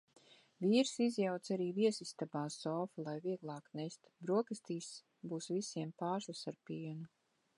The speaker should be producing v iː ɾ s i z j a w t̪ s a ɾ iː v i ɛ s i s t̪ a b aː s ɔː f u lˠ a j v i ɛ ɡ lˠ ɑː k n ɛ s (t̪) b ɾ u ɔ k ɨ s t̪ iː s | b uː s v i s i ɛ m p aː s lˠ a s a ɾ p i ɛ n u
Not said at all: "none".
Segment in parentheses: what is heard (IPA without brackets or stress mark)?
t̪